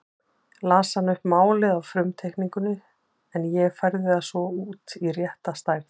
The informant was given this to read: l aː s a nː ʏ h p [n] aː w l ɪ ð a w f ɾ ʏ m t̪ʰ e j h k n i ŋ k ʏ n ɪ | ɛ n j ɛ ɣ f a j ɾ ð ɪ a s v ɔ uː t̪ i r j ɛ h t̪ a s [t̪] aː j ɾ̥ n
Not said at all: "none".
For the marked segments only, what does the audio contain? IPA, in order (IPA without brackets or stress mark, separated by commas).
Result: m, t̪